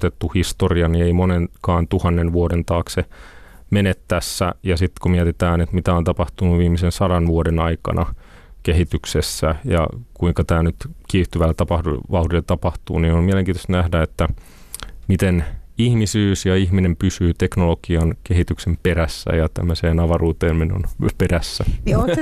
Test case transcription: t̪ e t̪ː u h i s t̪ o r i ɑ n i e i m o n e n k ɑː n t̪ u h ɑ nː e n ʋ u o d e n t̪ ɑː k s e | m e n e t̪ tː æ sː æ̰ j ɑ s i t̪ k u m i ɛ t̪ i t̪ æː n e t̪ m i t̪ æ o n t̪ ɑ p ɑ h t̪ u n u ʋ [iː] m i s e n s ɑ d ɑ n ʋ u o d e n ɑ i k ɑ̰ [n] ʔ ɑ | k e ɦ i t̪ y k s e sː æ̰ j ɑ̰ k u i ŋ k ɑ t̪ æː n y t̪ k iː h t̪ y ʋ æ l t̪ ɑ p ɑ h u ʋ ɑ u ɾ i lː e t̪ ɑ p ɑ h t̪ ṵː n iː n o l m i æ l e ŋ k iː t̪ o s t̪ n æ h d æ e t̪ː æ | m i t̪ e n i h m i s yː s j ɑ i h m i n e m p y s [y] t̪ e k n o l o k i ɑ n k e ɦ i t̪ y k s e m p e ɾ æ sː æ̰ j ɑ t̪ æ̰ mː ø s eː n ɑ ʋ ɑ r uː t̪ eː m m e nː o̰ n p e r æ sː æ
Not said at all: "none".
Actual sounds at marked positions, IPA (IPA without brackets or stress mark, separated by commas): iː, n, yː